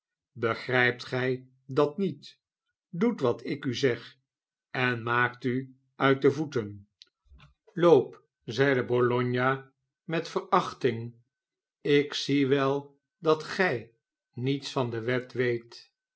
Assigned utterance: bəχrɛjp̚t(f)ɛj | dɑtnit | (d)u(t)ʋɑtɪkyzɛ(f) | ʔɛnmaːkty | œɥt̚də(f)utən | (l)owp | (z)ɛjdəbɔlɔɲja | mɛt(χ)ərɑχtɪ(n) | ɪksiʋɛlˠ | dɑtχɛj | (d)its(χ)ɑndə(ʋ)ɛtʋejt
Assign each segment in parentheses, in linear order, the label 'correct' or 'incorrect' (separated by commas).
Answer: incorrect, correct, correct, incorrect, incorrect, correct, correct, incorrect, incorrect, incorrect, incorrect, correct